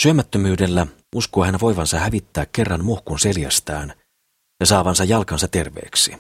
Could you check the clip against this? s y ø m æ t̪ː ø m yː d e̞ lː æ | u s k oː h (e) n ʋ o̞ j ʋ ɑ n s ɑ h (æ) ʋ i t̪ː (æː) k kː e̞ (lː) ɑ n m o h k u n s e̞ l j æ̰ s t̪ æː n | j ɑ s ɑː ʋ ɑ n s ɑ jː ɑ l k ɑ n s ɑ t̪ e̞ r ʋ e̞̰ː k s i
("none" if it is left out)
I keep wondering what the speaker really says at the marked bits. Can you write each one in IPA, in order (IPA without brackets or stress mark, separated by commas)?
æ, æ, æː, rː